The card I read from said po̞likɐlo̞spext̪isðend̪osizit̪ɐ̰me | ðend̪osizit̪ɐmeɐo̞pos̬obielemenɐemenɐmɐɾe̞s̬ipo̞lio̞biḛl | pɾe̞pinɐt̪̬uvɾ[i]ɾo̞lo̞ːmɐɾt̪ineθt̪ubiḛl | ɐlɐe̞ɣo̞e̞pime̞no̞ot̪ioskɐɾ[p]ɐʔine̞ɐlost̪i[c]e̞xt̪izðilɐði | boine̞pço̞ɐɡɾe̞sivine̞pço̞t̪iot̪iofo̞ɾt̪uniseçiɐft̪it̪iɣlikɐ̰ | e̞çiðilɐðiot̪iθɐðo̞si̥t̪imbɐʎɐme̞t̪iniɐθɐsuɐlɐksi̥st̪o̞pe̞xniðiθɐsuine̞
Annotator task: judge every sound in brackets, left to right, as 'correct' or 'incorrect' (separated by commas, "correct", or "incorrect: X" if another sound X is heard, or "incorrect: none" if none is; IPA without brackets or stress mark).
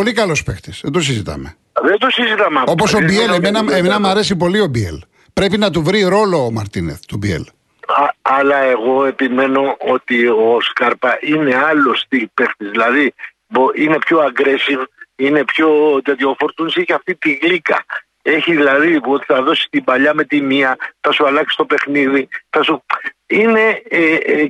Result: correct, correct, incorrect: p